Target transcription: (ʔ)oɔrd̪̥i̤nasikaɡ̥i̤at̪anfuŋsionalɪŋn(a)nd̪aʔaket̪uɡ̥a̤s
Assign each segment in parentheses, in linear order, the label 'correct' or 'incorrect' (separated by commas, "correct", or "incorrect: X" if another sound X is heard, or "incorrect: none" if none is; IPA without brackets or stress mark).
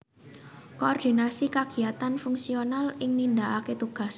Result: incorrect: k, incorrect: i